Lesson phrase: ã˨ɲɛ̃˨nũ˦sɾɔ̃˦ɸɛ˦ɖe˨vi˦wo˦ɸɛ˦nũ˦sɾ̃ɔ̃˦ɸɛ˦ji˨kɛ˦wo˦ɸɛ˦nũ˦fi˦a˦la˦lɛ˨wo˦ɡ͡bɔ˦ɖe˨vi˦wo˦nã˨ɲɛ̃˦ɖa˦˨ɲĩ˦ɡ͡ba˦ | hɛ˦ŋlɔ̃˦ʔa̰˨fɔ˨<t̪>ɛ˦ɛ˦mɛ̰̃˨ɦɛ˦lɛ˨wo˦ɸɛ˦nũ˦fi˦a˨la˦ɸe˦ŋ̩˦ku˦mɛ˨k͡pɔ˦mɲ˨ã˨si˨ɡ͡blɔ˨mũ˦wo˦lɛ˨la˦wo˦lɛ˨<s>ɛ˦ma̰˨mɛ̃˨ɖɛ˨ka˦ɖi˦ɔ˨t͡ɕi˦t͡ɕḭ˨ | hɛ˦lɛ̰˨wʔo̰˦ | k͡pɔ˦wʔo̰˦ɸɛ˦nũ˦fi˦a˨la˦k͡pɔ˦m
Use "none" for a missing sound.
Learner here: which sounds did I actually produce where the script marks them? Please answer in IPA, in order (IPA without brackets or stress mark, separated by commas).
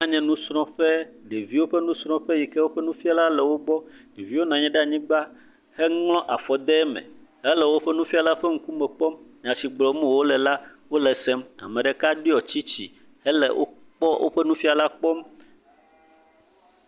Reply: d̪, s